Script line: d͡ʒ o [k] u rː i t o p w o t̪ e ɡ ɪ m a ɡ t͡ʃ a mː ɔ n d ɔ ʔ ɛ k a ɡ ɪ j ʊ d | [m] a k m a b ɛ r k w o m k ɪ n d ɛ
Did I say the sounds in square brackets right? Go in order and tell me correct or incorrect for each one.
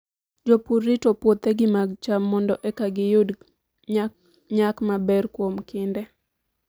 incorrect, incorrect

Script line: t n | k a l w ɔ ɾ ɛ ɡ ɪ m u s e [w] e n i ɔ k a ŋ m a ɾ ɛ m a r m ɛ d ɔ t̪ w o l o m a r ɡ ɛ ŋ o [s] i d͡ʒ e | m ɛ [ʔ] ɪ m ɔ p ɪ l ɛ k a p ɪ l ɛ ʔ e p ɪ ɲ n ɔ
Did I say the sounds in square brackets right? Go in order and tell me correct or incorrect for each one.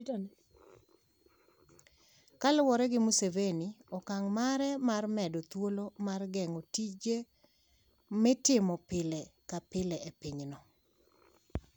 incorrect, incorrect, incorrect

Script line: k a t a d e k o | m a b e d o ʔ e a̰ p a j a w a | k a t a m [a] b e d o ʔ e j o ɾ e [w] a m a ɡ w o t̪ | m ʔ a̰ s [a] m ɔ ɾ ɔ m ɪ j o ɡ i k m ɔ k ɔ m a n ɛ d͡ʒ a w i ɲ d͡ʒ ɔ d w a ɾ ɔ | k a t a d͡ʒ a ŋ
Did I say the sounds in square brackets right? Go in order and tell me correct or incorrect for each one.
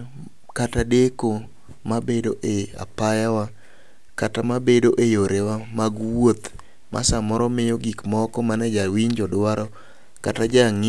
correct, correct, correct

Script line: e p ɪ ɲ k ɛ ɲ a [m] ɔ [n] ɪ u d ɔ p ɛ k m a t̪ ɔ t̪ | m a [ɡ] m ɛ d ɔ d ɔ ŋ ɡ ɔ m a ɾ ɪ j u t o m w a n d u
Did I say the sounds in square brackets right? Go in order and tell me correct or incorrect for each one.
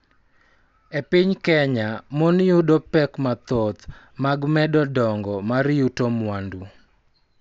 correct, correct, correct

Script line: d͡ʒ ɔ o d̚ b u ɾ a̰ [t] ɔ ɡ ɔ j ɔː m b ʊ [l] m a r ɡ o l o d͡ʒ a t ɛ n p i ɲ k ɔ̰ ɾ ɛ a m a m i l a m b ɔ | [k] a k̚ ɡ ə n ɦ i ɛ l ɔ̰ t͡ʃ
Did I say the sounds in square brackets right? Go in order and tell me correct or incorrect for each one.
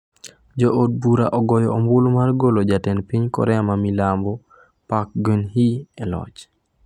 incorrect, correct, incorrect

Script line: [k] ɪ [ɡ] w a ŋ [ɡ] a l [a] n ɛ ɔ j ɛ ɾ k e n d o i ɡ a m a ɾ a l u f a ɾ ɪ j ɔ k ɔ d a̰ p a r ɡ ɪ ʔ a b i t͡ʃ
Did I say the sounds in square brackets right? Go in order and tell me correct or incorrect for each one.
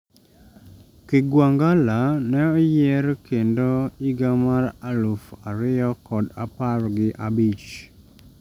correct, correct, correct, correct

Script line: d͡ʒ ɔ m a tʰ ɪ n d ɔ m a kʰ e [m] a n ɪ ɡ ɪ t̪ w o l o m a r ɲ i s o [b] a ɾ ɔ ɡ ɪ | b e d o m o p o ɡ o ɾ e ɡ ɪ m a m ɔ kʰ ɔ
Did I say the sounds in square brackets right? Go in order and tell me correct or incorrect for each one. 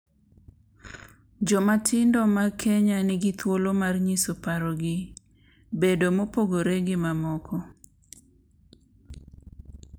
incorrect, incorrect

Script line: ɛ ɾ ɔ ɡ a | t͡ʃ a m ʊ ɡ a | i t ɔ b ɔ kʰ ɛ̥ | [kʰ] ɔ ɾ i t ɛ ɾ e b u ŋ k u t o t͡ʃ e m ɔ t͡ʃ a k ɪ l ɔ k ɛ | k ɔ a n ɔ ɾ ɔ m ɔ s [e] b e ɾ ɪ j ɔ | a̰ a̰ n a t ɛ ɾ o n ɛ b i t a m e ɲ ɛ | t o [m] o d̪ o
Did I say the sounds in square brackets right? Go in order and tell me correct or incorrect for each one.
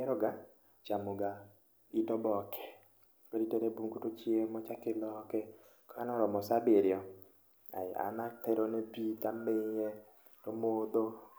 incorrect, incorrect, correct

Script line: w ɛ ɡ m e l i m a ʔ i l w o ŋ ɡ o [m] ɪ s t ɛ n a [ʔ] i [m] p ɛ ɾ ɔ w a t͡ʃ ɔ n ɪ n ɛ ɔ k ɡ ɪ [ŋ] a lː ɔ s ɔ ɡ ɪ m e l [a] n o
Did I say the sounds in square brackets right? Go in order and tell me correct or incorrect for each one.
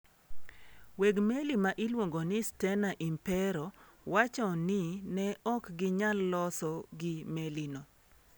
incorrect, correct, correct, incorrect, incorrect

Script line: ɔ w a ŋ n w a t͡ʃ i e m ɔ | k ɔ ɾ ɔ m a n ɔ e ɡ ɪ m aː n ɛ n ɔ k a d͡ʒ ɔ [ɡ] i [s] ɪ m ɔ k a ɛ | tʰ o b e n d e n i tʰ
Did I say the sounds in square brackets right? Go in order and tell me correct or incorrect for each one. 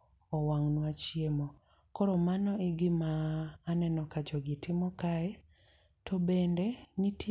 correct, incorrect

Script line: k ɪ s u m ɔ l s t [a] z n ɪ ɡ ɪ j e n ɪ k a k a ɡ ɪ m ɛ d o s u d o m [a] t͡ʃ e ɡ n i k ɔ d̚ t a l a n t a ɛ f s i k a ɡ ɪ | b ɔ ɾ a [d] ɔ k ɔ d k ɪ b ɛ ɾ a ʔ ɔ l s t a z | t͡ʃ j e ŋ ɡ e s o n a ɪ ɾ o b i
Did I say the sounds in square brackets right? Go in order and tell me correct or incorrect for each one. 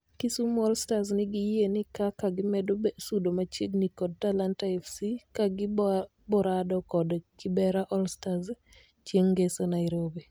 correct, correct, correct

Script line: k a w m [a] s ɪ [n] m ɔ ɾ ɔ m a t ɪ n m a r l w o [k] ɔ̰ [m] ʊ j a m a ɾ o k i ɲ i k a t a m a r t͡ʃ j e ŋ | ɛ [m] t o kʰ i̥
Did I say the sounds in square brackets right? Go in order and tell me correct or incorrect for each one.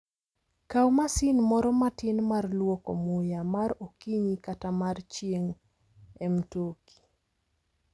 correct, correct, correct, correct, correct

